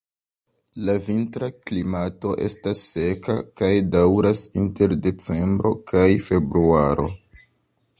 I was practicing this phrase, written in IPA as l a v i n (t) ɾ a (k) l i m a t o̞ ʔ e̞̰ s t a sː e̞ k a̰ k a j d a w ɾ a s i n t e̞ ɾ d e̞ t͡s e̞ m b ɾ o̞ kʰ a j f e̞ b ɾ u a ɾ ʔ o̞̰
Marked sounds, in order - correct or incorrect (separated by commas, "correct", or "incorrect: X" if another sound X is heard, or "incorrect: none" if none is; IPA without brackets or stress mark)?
correct, correct